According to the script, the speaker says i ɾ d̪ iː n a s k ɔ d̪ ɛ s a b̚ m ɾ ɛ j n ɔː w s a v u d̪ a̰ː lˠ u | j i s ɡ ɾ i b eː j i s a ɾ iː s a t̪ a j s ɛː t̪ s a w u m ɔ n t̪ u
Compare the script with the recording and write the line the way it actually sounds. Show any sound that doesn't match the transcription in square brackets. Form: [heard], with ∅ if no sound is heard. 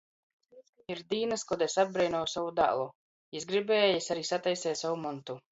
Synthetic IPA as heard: i ɾ d̪ iː n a s k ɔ d̪ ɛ s a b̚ [b] ɾ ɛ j n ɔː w s a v u d̪ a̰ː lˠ u | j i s ɡ ɾ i b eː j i s a ɾ iː s a t̪ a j s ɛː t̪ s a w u m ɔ n t̪ u